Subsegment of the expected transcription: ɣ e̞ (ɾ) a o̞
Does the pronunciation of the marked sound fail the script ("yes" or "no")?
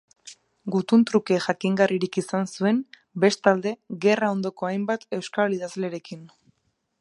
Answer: yes